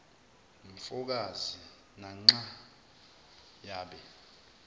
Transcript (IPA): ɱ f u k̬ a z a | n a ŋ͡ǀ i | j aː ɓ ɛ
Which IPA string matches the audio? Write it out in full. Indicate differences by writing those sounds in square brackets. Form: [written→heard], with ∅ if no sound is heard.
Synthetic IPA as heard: ɱ f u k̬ a z [a→i] | n a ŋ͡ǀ [i→a] | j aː ɓ ɛ